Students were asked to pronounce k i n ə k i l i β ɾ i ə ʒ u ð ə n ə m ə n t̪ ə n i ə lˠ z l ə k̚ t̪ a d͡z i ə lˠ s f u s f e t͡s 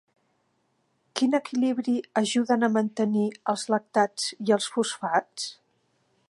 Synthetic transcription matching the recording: k i n ə k i l i β ɾ i ə ʒ u ð ə n ə m ə n t̪ ə n i ə lˠ z l ə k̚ t̪ a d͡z i ə lˠ s f u s f a t͡s